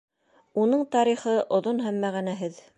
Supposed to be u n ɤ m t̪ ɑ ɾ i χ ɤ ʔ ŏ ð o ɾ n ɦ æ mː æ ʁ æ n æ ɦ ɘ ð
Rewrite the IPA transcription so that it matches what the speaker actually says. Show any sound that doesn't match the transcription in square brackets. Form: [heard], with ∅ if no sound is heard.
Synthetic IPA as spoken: u n ɤ [ɴ] t̪ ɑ ɾ i χ ɤ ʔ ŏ ð o [∅] n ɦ æ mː æ ʁ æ n æ ɦ ɘ ð